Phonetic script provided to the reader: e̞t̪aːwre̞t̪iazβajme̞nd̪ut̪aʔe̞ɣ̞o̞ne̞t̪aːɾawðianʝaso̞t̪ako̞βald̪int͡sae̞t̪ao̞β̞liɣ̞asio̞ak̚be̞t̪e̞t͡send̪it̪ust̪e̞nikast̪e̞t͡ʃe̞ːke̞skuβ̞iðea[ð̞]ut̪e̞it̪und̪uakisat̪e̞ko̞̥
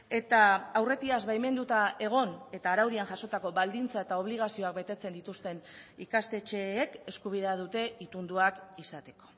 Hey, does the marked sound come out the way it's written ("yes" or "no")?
yes